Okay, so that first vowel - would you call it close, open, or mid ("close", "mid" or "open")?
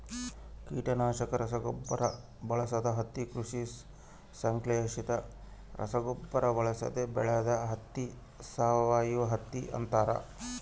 close